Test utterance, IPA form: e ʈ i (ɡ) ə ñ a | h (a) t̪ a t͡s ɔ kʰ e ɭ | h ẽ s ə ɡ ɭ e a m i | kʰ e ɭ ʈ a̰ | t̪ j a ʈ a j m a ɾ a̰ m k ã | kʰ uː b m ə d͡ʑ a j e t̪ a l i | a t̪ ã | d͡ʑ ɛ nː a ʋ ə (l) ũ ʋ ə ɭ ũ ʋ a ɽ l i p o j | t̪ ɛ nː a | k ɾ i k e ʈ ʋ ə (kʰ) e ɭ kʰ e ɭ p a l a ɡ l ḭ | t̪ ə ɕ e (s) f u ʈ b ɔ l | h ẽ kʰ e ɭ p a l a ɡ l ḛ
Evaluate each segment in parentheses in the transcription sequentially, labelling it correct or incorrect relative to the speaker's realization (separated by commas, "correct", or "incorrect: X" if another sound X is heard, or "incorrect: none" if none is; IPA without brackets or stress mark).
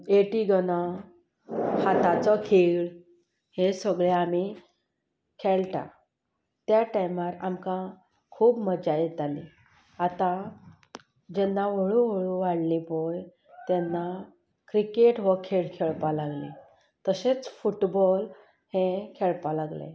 correct, correct, incorrect: ɭ, correct, incorrect: t͡s